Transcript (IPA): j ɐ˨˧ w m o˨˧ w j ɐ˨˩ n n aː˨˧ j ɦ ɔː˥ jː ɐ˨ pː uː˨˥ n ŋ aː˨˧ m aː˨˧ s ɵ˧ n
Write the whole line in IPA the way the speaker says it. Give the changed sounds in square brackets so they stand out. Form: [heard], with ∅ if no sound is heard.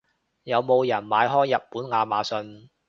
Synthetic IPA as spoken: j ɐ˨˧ w m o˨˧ w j ɐ˨˩ n [m] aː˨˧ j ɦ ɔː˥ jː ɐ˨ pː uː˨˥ n ŋ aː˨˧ m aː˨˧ s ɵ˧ n

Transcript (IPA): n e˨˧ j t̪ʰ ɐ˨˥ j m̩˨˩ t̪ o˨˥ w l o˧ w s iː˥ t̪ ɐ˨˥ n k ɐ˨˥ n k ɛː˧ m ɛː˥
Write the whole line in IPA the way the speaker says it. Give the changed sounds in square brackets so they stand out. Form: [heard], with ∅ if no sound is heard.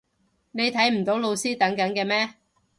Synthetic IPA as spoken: n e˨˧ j t̪ʰ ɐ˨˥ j m̩˨˩ t̪ o˨˥ w l o˧ w s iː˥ t̪ ɐ˨˥ [ŋ] k ɐ˨˥ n k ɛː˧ m ɛː˥

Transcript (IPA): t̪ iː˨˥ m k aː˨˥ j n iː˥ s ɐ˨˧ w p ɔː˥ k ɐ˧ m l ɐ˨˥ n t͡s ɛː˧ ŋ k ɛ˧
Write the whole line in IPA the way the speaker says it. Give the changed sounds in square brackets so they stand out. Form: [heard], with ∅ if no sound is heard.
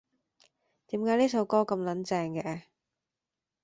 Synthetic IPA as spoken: t̪ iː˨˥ m k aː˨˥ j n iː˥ s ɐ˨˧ w [k] ɔː˥ k ɐ˧ m l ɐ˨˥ n t͡s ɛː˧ ŋ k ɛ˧

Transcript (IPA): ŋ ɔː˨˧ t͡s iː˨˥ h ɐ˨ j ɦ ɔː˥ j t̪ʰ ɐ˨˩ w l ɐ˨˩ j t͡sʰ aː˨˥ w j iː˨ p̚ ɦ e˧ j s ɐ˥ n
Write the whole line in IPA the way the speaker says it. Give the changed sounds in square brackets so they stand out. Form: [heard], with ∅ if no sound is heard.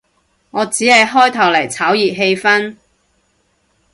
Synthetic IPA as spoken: ŋ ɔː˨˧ t͡s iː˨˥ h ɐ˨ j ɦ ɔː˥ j t̪ʰ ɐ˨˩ w l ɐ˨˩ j t͡sʰ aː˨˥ w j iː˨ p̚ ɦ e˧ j [f] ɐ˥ n

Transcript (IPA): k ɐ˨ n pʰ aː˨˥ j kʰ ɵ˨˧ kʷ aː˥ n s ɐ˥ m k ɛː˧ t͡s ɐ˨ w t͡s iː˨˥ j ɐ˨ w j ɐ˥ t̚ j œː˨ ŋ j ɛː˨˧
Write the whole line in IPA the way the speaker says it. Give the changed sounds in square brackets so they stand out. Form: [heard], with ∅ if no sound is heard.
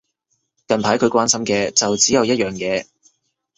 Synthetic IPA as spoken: k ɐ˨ n pʰ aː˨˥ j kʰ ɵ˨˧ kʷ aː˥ n s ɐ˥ m k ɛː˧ t͡s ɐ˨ w t͡s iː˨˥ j ɐ˨ w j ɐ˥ t̚ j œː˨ ŋ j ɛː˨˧

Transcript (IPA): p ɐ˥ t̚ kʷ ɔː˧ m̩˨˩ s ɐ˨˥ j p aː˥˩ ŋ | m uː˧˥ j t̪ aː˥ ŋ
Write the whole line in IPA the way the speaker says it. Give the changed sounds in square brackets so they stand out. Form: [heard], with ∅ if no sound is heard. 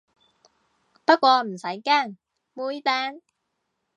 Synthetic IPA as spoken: p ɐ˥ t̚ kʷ ɔː˧ m̩˨˩ s ɐ˨˥ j [k] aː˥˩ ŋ | m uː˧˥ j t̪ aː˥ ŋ

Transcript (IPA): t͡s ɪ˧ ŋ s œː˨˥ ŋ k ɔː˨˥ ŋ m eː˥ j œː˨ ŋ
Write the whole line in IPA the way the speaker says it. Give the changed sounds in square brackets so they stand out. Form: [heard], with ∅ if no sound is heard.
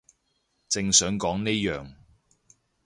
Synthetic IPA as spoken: t͡s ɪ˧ ŋ s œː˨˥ ŋ k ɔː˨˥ ŋ [n] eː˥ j œː˨ ŋ

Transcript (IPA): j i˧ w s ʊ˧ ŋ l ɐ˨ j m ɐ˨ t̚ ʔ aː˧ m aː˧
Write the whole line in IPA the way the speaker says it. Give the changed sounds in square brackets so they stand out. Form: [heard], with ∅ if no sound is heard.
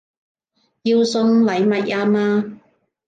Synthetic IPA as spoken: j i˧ w s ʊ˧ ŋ l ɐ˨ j m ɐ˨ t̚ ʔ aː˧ m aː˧

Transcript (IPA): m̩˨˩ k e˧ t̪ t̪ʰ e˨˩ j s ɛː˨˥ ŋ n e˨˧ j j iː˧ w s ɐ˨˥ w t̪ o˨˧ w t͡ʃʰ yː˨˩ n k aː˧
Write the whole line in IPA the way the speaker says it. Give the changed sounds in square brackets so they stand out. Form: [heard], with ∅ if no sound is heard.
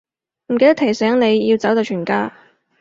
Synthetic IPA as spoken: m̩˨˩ k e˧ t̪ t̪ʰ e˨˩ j s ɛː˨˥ ŋ n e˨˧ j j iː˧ w [t͡s] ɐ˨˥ w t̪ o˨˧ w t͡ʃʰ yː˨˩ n k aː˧

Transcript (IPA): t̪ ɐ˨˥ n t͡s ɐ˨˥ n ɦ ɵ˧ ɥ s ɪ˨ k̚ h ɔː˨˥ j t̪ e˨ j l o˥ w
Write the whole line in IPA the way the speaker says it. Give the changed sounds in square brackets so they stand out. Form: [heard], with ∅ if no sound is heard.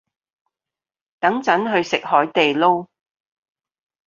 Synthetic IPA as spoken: t̪ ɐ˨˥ [ŋ] t͡s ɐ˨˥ n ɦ ɵ˧ ɥ s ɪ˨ k̚ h ɔː˨˥ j t̪ e˨ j l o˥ w

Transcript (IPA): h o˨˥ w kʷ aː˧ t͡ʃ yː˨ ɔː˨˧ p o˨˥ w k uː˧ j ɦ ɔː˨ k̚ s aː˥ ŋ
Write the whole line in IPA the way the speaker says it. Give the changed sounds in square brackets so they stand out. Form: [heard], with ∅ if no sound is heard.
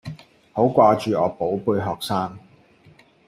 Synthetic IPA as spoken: h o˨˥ w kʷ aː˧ t͡ʃ yː˨ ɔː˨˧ p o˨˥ w [p] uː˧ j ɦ ɔː˨ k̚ s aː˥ ŋ

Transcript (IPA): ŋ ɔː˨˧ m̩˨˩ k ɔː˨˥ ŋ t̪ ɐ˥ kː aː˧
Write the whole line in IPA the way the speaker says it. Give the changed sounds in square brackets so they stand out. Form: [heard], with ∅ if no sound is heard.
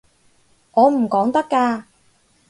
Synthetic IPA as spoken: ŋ ɔː˨˧ m̩˨˩ k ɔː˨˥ ŋ t̪ ɐ˥ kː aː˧

